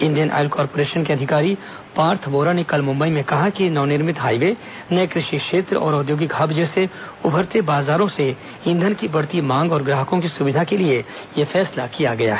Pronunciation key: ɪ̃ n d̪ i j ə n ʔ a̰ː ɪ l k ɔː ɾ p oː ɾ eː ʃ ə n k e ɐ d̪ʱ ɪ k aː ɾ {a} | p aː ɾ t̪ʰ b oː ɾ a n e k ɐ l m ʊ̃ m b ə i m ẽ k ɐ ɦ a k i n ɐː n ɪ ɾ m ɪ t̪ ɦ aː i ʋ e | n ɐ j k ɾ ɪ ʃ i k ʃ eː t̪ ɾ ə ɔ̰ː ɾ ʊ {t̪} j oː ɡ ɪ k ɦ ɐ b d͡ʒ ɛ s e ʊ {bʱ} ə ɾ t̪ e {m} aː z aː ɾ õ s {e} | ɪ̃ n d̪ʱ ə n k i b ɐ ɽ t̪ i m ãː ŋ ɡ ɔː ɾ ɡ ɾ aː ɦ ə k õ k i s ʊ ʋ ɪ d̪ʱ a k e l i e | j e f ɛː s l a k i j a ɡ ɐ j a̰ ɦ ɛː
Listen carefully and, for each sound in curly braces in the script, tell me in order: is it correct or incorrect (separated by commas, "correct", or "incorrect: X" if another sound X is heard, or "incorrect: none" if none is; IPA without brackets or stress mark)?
incorrect: i, incorrect: d̪, correct, incorrect: b, correct